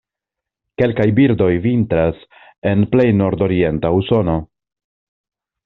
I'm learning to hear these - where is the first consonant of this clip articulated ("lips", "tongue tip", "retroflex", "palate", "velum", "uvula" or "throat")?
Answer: velum